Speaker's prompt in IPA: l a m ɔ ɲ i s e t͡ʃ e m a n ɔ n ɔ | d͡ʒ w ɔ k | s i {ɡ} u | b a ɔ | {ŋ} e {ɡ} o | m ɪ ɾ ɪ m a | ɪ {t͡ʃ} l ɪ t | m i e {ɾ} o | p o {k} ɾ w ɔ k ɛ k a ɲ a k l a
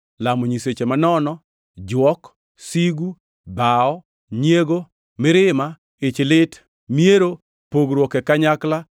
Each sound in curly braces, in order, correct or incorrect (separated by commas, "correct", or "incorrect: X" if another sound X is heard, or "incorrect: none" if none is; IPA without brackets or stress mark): correct, incorrect: ɲ, correct, correct, correct, incorrect: ɡ